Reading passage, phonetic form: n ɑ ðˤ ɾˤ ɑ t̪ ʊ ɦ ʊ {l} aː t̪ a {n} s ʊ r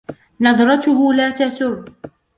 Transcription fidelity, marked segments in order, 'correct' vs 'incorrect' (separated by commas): correct, incorrect